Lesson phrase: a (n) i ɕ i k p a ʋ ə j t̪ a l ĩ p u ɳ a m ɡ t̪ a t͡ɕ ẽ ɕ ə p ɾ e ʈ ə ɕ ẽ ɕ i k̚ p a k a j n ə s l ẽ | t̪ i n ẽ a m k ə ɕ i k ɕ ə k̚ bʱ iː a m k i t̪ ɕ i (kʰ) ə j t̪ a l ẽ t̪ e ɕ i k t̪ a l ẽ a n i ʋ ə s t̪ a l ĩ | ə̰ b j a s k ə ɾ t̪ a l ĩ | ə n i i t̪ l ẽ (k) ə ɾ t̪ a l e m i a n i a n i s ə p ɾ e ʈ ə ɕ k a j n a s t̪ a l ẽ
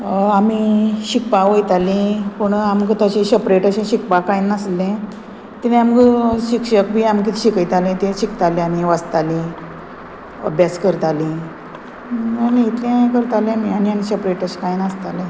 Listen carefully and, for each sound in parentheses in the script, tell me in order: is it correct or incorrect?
incorrect: m, incorrect: k, correct

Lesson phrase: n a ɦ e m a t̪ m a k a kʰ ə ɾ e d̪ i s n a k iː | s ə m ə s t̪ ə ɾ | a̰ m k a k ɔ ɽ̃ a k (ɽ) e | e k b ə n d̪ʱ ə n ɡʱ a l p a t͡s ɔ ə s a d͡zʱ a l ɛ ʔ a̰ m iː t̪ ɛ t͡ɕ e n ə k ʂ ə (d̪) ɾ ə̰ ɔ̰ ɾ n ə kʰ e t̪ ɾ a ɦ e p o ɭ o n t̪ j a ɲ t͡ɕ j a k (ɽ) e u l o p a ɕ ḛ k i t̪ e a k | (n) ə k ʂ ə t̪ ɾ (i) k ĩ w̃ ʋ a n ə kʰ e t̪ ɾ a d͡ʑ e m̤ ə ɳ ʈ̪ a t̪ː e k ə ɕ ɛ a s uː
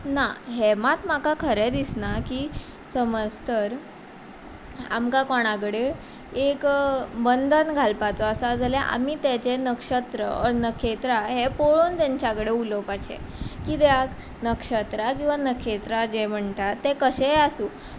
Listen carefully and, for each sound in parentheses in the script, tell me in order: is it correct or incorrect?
correct, incorrect: t̪, correct, correct, incorrect: a

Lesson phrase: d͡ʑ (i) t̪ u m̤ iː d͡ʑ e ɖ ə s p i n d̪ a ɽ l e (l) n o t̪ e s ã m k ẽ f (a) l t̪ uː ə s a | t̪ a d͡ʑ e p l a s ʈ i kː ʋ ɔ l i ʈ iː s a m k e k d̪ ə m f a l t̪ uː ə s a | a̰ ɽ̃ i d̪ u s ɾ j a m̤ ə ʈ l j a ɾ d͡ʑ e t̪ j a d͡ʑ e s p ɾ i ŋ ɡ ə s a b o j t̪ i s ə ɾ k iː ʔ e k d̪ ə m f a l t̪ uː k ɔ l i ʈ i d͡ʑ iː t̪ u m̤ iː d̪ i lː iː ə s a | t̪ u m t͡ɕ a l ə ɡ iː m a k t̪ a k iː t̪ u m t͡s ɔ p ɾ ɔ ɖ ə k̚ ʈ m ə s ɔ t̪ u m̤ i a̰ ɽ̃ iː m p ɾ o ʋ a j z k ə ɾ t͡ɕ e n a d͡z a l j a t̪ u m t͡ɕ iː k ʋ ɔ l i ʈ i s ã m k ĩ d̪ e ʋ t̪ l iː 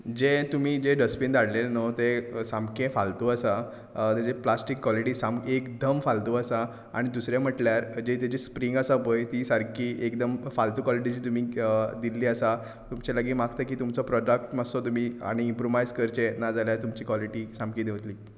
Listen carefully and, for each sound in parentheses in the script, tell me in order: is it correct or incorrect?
incorrect: e, correct, correct

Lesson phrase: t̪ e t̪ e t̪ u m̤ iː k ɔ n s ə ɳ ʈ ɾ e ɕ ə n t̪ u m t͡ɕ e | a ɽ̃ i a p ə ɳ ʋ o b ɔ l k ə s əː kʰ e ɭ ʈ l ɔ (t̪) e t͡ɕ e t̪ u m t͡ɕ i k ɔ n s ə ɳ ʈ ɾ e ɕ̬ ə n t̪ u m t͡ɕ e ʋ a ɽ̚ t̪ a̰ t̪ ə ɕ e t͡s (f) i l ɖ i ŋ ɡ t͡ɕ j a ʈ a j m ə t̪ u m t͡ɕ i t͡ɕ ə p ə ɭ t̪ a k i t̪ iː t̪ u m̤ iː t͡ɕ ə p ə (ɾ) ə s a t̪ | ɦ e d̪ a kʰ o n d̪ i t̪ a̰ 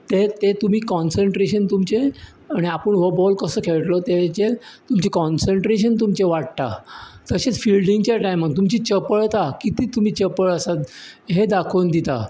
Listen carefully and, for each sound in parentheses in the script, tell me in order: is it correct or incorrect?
correct, correct, incorrect: ɭ

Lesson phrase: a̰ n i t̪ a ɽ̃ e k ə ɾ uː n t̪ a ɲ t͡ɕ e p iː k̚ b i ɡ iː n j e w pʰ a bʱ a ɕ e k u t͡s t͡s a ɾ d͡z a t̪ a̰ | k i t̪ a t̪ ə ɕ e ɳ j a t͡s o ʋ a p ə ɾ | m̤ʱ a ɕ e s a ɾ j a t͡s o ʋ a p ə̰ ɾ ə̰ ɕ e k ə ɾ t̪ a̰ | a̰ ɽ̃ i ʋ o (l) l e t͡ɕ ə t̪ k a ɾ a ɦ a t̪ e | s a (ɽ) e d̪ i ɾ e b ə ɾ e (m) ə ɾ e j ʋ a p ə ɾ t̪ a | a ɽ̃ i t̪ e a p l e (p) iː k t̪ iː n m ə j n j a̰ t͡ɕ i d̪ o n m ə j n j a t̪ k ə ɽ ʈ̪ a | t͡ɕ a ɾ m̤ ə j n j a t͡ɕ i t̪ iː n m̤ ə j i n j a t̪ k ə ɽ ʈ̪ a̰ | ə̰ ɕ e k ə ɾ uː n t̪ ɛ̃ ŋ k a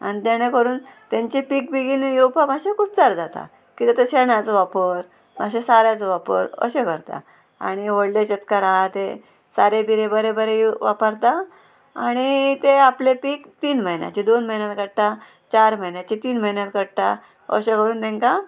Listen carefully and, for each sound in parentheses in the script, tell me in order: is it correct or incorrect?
incorrect: ɽ, incorrect: ɾ, incorrect: b, correct

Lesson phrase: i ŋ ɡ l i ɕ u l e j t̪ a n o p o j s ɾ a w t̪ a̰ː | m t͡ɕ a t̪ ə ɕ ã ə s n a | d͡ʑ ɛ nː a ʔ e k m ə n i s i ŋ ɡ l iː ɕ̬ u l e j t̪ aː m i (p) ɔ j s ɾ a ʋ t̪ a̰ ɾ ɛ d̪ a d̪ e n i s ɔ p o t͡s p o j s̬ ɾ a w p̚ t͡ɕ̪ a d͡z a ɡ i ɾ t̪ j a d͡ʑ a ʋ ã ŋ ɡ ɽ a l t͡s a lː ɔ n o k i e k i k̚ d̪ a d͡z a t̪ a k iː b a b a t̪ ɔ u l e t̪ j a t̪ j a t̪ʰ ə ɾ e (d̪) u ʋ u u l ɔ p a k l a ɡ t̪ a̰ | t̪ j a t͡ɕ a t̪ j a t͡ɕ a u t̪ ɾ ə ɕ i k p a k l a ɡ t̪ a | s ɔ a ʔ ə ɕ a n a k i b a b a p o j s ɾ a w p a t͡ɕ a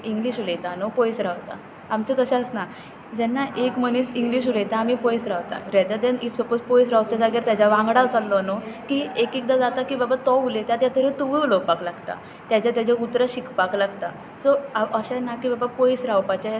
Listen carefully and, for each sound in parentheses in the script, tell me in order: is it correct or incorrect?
correct, incorrect: t̪

